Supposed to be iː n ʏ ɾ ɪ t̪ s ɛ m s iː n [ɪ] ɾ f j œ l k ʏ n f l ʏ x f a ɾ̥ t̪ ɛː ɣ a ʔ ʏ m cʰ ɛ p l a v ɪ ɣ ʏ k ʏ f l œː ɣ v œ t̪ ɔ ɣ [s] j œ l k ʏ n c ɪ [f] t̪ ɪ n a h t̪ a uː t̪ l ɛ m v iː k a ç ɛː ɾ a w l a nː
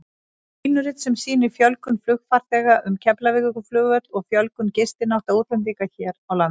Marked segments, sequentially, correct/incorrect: correct, incorrect, incorrect

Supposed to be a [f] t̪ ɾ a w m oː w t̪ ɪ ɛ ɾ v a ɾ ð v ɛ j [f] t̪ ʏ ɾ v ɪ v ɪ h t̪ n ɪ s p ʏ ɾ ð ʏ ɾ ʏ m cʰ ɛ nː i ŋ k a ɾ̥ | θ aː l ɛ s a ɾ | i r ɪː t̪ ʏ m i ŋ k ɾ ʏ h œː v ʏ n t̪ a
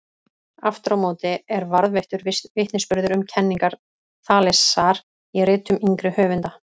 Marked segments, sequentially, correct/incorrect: correct, incorrect

